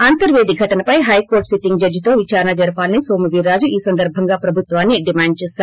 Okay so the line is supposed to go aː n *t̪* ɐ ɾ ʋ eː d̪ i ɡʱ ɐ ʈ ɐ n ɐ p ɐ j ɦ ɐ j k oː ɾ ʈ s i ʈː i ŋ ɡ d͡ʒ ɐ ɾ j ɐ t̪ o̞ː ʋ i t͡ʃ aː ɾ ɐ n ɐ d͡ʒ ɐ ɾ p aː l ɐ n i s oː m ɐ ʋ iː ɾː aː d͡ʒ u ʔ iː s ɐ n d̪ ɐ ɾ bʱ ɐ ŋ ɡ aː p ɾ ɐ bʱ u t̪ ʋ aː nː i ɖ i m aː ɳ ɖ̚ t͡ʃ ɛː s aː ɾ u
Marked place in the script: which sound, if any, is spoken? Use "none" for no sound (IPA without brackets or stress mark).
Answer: t̪